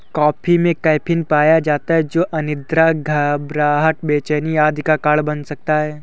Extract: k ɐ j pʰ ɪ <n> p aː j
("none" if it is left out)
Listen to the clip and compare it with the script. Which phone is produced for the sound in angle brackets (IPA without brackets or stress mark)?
n